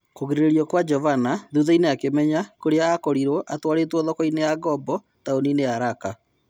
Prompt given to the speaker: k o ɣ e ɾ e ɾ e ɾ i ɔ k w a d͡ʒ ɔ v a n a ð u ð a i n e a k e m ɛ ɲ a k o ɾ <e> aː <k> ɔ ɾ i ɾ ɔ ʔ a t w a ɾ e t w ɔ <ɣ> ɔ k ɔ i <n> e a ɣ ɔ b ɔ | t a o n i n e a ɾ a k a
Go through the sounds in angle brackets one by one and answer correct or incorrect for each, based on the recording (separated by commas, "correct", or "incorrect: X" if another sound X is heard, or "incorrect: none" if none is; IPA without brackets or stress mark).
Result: correct, correct, incorrect: ð, correct